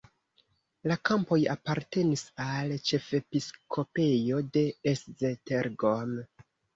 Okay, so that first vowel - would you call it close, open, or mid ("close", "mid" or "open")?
open